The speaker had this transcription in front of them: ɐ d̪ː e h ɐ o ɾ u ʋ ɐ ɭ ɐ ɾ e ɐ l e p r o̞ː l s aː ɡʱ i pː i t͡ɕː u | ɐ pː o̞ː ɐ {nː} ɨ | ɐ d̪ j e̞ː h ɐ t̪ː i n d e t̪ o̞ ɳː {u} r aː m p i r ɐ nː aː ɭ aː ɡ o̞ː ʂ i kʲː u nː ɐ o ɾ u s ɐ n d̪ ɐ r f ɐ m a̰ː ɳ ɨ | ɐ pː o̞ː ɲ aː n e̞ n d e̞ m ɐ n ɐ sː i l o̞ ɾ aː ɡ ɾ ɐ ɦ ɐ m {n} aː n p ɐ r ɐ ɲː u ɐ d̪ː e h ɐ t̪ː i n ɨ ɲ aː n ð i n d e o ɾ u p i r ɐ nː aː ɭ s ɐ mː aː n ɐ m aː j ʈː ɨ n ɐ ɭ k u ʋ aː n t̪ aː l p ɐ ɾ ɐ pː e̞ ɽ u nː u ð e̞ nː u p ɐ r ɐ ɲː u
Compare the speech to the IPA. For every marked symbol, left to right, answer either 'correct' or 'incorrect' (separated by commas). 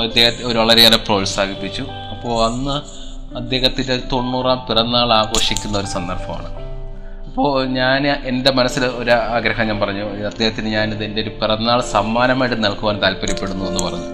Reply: correct, incorrect, incorrect